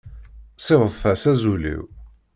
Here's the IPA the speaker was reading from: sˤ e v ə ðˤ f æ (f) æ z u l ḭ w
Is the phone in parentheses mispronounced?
yes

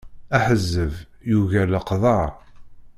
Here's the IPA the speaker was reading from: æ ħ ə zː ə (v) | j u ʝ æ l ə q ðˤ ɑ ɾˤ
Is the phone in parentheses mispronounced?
no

